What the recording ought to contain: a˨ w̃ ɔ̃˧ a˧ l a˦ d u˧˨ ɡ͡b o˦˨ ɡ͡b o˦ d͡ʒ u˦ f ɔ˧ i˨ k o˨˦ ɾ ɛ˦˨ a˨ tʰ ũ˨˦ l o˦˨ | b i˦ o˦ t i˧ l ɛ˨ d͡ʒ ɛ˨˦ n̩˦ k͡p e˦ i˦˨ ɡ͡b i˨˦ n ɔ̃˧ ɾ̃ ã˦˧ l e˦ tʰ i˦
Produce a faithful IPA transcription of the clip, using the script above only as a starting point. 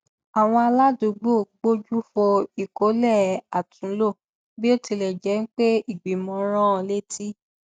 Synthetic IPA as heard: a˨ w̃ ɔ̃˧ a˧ l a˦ d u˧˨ ɡ͡b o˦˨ ɡ͡b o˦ d͡ʒ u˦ f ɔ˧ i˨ k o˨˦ l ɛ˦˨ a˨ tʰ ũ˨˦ l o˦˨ | b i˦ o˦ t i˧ l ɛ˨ d͡ʒ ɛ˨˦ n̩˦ k͡p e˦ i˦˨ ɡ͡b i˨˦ m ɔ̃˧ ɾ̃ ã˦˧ l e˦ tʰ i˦